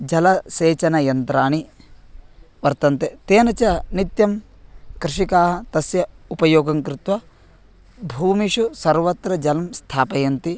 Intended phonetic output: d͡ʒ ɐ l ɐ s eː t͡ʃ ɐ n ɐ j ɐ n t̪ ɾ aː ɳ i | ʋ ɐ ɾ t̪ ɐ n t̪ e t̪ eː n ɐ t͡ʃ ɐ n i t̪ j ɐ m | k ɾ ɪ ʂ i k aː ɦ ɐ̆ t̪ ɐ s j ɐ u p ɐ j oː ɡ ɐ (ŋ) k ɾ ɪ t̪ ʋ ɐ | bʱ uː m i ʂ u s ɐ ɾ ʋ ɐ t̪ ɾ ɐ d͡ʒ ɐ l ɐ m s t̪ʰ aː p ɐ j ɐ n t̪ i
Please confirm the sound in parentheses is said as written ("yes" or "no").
yes